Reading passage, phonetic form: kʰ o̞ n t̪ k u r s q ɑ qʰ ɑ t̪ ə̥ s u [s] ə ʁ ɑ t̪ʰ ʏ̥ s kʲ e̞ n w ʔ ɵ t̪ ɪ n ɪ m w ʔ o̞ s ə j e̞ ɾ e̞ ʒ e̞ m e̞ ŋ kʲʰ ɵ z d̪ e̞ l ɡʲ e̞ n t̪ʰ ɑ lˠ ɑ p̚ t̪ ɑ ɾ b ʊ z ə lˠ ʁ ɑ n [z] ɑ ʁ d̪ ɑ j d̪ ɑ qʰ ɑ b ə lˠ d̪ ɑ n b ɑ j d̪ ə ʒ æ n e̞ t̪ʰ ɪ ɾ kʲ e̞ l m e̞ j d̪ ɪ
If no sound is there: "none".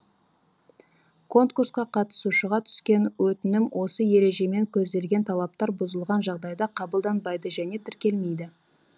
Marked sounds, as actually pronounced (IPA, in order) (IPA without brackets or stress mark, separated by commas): ʃ, ʒ